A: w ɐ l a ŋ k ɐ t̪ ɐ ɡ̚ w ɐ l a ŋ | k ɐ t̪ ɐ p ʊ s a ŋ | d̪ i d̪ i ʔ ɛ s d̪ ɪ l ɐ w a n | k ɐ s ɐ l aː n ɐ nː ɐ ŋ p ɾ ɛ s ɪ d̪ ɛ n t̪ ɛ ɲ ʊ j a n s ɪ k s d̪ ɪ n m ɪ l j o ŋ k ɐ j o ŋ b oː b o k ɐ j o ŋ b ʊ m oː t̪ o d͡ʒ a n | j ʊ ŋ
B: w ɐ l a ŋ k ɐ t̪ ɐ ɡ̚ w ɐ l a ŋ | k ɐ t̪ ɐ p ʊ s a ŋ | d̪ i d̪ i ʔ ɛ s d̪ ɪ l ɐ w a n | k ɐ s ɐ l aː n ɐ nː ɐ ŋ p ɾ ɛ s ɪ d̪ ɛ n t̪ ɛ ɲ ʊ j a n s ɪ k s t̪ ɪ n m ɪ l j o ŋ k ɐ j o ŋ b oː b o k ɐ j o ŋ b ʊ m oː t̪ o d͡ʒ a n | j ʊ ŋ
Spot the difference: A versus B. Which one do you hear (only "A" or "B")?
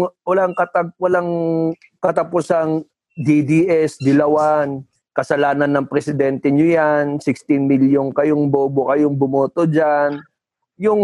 B